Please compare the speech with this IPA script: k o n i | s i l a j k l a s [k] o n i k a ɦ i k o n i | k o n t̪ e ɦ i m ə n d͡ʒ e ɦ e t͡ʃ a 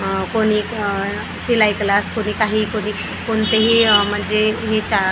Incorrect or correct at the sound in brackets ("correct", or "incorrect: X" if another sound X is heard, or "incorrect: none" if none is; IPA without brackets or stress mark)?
correct